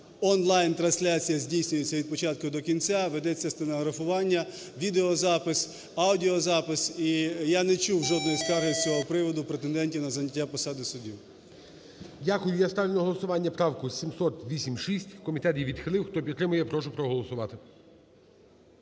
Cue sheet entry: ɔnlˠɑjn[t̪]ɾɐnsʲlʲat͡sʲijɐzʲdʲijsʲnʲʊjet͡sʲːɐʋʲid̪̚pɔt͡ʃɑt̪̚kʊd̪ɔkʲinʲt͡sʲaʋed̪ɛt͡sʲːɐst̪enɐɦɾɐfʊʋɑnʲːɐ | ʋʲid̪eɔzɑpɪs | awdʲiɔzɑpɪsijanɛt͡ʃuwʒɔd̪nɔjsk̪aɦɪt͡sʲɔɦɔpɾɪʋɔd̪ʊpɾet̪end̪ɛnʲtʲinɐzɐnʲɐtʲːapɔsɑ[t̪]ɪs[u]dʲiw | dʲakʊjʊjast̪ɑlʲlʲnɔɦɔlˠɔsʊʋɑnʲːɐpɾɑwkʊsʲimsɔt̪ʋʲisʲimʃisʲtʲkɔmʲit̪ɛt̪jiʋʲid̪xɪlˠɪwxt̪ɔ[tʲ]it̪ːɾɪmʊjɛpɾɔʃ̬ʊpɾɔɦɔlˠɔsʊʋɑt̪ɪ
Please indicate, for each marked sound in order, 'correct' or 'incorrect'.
correct, incorrect, incorrect, incorrect

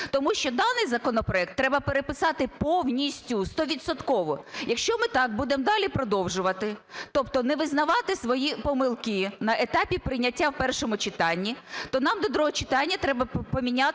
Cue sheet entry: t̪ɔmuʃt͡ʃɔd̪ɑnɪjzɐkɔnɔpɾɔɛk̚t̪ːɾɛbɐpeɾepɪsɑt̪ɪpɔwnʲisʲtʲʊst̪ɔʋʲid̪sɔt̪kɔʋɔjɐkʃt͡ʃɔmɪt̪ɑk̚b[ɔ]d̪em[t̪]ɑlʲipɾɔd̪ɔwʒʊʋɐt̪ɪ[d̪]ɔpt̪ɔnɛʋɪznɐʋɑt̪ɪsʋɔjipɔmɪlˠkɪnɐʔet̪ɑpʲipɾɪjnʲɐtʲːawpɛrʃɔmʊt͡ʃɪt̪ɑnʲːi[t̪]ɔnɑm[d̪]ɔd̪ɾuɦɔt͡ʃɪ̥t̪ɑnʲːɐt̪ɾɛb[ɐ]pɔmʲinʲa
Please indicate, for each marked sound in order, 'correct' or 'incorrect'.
incorrect, incorrect, incorrect, correct, correct, correct

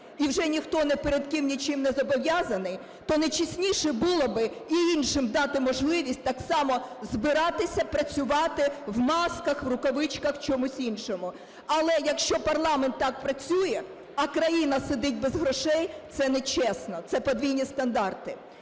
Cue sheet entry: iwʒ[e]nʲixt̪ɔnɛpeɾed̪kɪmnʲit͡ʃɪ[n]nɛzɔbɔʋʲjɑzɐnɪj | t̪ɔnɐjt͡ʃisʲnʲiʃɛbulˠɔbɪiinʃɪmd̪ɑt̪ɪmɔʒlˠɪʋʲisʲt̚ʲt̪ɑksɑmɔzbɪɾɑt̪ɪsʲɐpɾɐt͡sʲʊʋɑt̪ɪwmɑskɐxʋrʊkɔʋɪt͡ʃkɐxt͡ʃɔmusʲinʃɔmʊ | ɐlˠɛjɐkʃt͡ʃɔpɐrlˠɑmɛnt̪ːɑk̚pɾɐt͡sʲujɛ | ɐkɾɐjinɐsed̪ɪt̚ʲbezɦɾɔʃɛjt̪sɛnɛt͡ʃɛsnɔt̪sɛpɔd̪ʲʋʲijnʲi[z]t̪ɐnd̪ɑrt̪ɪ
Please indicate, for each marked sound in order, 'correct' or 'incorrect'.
incorrect, incorrect, incorrect

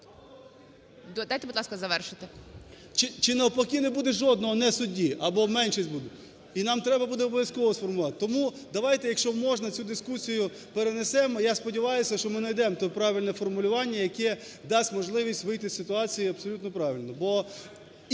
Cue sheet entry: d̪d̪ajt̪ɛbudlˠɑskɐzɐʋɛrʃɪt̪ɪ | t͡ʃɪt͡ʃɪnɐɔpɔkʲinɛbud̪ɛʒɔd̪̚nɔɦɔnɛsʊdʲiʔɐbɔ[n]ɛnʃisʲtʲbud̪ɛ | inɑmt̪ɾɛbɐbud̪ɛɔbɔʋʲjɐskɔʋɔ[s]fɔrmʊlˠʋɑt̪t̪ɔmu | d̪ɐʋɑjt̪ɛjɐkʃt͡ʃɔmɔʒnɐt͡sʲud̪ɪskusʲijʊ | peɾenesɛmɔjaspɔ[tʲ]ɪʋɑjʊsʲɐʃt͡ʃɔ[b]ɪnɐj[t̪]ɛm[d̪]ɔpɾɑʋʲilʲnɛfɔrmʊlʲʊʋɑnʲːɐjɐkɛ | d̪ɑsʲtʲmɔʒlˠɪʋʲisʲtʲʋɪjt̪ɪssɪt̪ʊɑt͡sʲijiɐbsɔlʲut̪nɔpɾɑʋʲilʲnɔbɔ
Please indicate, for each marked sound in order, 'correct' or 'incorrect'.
incorrect, correct, incorrect, incorrect, incorrect, incorrect

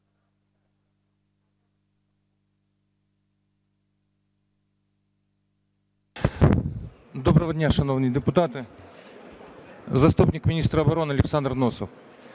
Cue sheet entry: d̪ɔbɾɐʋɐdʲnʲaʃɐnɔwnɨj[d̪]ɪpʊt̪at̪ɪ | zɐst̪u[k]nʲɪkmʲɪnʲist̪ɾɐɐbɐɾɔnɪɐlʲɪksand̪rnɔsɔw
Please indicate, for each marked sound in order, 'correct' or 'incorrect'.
correct, incorrect

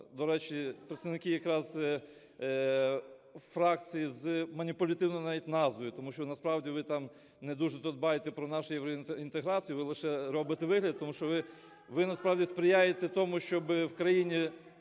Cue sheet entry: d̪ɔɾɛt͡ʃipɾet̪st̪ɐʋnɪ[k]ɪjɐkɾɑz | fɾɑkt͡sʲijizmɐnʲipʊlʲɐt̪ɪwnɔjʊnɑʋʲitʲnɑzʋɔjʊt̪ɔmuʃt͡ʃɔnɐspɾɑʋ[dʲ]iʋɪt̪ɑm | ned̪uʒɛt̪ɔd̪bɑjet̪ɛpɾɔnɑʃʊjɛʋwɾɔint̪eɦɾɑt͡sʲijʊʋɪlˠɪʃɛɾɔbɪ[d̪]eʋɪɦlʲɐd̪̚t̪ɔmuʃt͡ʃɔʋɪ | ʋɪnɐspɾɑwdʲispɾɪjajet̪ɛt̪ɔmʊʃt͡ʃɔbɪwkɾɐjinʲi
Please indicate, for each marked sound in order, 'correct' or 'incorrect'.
correct, correct, incorrect

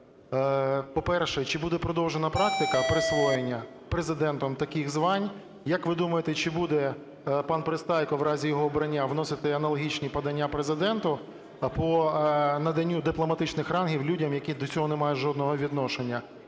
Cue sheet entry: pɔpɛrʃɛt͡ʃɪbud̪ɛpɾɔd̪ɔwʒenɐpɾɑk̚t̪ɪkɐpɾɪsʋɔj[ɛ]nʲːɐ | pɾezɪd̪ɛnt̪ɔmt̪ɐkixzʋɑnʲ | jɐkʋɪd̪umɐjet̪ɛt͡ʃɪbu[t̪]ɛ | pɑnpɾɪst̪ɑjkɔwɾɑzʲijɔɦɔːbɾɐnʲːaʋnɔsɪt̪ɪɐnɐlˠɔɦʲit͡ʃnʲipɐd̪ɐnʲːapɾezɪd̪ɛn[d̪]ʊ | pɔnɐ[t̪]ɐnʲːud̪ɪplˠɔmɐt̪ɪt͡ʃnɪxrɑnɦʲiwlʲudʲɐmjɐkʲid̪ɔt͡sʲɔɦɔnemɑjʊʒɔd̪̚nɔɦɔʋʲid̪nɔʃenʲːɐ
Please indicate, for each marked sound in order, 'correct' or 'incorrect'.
incorrect, incorrect, incorrect, incorrect

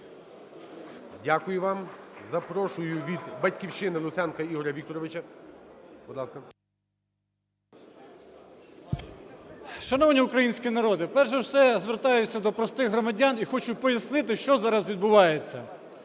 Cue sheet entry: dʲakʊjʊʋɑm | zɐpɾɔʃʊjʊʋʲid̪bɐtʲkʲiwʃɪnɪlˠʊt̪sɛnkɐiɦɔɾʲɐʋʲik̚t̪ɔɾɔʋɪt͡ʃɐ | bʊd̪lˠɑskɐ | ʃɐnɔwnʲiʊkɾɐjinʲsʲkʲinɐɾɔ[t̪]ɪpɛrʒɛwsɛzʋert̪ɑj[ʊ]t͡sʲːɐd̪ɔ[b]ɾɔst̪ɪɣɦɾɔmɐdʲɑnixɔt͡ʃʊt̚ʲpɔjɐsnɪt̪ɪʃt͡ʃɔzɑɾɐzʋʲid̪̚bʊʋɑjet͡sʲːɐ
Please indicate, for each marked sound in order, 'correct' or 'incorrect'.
incorrect, correct, incorrect

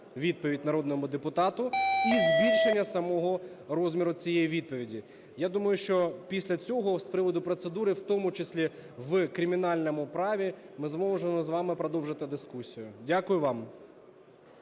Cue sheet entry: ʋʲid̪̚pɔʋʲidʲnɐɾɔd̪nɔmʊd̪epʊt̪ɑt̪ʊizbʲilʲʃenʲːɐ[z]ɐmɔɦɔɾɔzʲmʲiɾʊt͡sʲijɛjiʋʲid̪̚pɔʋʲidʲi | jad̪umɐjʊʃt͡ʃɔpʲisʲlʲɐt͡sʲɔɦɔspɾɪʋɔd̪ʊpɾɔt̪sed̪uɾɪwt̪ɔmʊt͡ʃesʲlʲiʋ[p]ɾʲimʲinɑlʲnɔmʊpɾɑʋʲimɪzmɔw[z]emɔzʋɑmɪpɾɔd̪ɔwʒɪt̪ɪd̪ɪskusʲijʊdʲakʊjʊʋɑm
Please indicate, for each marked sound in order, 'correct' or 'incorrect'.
incorrect, incorrect, incorrect

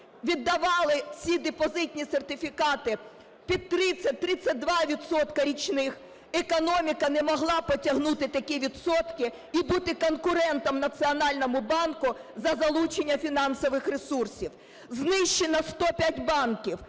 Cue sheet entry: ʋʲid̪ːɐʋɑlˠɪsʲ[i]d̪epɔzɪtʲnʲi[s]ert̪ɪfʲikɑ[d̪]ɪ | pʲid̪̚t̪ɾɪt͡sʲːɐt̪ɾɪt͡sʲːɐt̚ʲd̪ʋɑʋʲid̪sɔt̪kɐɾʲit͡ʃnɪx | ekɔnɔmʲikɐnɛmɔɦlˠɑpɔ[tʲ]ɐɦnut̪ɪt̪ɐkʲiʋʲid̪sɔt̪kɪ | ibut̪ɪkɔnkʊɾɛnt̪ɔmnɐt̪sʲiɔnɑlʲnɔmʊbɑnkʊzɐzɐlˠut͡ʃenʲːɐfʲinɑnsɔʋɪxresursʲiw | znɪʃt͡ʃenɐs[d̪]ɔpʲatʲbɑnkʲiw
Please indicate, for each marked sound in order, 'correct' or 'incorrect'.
correct, correct, incorrect, correct, incorrect

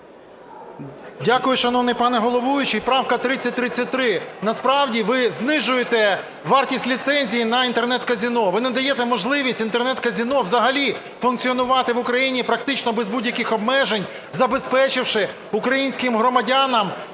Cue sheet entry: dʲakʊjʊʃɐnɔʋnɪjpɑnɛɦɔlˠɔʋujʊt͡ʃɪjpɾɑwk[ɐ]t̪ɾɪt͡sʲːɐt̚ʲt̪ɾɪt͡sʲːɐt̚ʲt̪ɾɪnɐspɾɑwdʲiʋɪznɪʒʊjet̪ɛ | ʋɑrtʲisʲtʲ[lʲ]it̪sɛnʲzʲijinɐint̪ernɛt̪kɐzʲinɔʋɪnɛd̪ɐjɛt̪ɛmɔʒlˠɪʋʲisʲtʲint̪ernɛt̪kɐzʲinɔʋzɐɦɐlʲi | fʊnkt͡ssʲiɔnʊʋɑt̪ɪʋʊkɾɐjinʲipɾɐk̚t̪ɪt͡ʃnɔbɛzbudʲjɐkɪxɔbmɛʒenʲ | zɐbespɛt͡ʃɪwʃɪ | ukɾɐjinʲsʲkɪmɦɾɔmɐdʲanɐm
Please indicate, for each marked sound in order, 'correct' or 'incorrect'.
correct, correct

